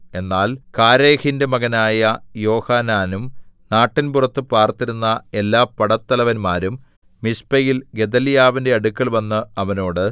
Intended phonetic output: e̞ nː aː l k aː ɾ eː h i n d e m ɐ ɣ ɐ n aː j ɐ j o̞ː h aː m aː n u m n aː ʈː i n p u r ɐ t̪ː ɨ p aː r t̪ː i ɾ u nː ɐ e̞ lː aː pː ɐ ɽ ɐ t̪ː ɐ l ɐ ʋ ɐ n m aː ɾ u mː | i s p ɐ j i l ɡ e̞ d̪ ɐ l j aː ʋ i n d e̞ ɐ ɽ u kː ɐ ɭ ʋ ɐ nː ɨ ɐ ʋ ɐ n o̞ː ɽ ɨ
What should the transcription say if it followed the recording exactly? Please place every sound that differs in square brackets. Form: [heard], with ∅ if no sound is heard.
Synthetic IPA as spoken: e̞ nː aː l k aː ɾ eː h i n d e m ɐ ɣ ɐ n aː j ɐ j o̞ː h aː [n] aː n u m n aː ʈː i n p u r ɐ t̪ː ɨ p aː r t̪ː i ɾ u nː ɐ e̞ lː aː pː ɐ ɽ ɐ t̪ː ɐ l ɐ ʋ ɐ n m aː ɾ u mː | i s p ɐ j i l ɡ e̞ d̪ ɐ l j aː ʋ i n d e̞ ɐ ɽ u kː ɐ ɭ ʋ ɐ nː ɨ ɐ ʋ ɐ n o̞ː ɽ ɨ